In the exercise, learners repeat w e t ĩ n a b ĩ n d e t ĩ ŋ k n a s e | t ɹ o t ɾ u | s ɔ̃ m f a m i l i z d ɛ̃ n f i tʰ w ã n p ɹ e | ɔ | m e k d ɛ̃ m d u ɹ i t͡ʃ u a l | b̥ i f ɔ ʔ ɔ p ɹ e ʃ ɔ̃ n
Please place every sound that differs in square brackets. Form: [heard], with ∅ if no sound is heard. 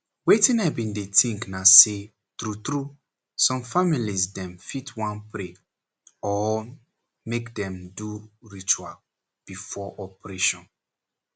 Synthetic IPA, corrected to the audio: w e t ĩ n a b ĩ n d e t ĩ ŋ k n a s e | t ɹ [u] t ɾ u | s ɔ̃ m f a m i l i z d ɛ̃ [m] f i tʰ w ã n p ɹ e | ɔ | m e k d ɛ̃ m d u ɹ i t͡ʃ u a l | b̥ i f ɔ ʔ ɔ p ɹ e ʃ ɔ̃ n